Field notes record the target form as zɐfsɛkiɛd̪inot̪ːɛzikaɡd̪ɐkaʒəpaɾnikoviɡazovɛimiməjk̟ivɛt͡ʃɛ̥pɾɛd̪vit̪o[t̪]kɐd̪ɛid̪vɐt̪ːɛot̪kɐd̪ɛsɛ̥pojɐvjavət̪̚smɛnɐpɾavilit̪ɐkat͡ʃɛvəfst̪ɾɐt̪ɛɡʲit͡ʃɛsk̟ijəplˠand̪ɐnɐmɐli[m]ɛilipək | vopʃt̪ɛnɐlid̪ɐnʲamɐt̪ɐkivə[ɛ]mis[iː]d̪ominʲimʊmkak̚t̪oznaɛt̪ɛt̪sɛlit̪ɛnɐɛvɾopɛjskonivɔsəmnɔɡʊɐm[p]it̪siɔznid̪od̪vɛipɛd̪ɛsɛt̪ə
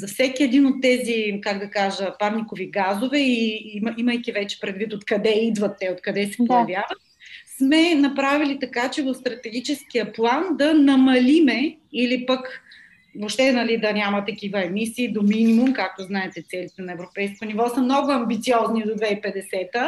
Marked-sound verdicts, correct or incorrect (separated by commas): correct, correct, correct, correct, incorrect